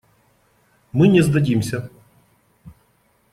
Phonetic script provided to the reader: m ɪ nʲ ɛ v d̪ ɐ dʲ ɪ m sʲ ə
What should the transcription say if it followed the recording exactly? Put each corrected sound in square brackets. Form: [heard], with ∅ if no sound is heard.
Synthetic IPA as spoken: m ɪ nʲ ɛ [z] d̪ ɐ dʲ [i] m sʲ [ɐ]